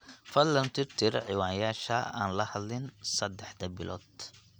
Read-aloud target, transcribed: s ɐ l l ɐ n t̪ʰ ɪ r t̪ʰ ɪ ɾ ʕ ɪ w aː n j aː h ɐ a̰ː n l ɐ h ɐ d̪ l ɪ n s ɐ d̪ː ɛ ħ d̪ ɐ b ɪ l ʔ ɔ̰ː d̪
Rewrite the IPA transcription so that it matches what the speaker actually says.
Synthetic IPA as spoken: f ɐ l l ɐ n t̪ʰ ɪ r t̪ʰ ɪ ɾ ʕ ɪ w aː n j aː ʃ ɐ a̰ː n l ɐ h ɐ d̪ l ɪ n s ɐ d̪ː ɛ ħ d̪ ɐ b ɪ l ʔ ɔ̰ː d̪

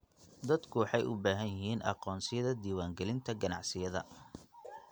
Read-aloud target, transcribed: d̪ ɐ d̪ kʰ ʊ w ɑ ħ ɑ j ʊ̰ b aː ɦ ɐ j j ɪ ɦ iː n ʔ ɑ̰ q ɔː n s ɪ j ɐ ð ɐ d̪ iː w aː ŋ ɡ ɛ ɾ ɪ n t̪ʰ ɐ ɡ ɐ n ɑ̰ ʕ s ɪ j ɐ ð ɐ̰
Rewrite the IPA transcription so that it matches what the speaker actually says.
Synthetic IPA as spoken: d̪ ɐ d̪ kʰ ʊ w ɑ ħ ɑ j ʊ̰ b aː ɦ ɐ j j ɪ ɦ iː n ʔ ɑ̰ q ɔː n s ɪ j ɐ ð ɐ d̪ iː w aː ŋ ɡ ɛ l ɪ n t̪ʰ ɐ ɡ ɐ n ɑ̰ ʕ s ɪ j ɐ ð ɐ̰

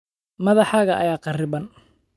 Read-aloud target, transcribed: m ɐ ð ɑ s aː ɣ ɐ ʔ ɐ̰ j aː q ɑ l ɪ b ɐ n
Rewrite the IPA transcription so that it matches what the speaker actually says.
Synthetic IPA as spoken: m ɐ ð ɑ ħ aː ɣ ɐ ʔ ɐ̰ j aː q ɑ r ɪ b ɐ n

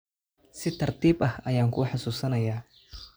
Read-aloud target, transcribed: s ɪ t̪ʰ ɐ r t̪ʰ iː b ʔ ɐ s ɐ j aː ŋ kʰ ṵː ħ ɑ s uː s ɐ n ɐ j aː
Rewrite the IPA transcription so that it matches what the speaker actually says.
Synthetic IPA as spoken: s ɪ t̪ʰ ɐ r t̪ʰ iː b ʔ ɐ h ɐ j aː ŋ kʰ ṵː ħ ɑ s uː s ɐ n ɐ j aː

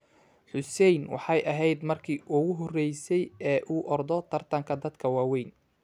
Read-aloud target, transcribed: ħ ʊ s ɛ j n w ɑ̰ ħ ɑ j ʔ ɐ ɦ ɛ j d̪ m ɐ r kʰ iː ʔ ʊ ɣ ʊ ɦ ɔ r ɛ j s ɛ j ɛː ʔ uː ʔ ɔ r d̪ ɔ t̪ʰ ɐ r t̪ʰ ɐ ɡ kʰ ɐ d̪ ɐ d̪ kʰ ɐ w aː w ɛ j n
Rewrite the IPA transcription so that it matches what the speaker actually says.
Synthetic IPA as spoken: ħ ʊ s ɛ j n w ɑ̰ ħ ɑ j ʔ ɐ ɦ ɛ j d̪ m ɐ r kʰ iː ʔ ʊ ɣ ʊ ɦ ɔ r ɛ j s ɛ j ɛː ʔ uː ʔ ɔ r d̪ ɔ t̪ʰ ɐ r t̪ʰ ɐ ŋ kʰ ɐ d̪ ɐ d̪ kʰ ɐ w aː w ɛ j n

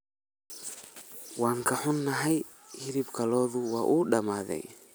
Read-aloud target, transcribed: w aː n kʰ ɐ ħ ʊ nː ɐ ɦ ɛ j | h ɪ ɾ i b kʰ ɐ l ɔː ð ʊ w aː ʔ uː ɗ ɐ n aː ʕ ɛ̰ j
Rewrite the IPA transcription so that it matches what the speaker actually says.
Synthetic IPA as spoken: w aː ŋ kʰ ɐ ħ ʊ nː ɐ ɦ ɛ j | h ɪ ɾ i b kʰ ɐ l ɔː ð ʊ w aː ʔ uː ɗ ɐ m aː ð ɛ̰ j

